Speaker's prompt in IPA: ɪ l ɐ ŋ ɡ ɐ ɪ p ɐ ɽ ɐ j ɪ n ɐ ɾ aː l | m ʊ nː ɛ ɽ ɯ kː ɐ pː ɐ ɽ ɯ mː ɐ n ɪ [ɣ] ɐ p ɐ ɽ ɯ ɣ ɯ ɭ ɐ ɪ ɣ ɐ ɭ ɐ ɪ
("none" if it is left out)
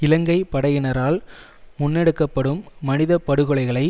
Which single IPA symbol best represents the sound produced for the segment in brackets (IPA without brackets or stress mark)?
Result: ð